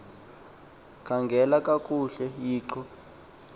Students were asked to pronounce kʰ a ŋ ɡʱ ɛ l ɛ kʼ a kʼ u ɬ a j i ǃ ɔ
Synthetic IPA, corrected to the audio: kʰ a ŋ ɡʱ ɛ l a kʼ a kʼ u ɬ ɛ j iː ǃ ɔ